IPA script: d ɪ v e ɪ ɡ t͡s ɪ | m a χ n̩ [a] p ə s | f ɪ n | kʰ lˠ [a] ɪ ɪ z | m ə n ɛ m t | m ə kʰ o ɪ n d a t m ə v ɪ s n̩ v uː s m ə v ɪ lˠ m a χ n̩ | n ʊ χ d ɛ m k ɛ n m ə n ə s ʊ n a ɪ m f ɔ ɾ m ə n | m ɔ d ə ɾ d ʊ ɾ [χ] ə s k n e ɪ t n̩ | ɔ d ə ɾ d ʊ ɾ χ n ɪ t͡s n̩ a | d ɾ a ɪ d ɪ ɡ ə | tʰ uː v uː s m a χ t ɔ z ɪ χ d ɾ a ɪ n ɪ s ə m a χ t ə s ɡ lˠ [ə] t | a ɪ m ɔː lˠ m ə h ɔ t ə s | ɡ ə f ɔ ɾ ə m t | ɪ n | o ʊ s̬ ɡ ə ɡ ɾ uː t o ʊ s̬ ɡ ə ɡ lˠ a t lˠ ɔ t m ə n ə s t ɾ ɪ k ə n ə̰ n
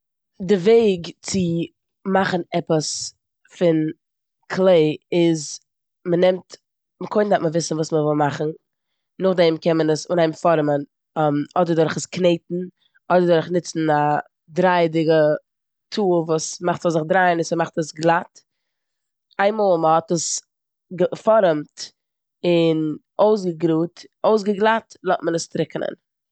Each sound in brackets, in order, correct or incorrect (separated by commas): incorrect, incorrect, correct, incorrect